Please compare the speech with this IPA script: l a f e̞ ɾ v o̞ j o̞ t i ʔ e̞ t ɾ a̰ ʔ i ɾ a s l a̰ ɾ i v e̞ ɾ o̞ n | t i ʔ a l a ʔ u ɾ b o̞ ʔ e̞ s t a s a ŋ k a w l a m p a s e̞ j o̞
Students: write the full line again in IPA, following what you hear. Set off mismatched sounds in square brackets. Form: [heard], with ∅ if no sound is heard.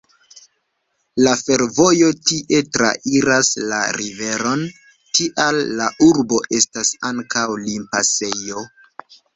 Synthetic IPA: l a f e̞ ɾ v o̞ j o̞ t i ʔ e̞ t ɾ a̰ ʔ i ɾ a s l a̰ ɾ i v e̞ ɾ o̞ n | t i ʔ a [lː] a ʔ u ɾ b o̞ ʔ e̞ s t a s a ŋ k a w l [i] m p a s e̞ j o̞